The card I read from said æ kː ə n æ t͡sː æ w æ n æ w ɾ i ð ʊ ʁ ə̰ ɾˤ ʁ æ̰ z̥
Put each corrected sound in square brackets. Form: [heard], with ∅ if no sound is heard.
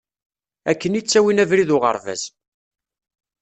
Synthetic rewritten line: æ kː ə n [i] t͡sː æ w [i] n æ [v] ɾ i ð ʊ ʁ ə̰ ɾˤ [v] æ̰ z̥